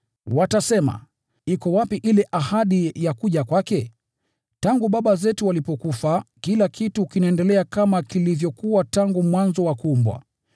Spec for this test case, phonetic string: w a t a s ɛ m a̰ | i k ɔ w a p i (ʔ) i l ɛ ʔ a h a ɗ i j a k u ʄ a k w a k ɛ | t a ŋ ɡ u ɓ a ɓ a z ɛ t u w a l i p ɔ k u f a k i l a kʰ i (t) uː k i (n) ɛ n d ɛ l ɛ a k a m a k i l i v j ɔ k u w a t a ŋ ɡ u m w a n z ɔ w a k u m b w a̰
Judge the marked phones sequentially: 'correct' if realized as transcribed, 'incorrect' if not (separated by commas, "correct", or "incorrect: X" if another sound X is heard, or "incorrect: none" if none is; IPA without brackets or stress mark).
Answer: correct, correct, correct